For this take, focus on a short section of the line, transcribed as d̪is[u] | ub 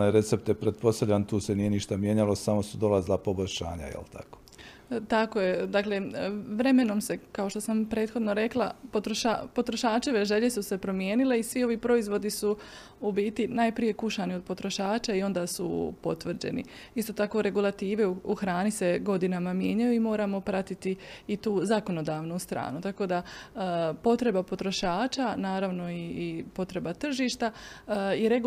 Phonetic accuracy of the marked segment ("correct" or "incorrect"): correct